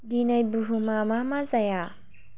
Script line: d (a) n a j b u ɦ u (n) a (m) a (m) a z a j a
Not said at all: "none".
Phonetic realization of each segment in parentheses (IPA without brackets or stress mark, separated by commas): i, m, m, m